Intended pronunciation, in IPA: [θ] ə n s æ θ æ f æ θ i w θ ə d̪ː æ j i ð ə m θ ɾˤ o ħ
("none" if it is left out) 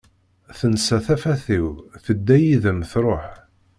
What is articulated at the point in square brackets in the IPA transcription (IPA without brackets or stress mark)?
θ